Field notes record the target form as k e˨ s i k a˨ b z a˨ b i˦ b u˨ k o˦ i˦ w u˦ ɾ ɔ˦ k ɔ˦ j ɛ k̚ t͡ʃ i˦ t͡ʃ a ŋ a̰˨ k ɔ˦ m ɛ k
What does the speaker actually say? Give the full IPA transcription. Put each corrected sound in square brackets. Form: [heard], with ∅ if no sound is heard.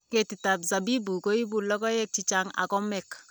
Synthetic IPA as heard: k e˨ [t] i [t] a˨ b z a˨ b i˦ b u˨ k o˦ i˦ [b] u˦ [l] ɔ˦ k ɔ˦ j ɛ k̚ t͡ʃ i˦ t͡ʃ a ŋ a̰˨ k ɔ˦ m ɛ k